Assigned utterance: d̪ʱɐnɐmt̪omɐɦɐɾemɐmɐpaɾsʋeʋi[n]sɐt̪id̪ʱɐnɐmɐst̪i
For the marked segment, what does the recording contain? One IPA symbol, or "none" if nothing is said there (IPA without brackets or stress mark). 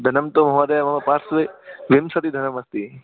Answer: m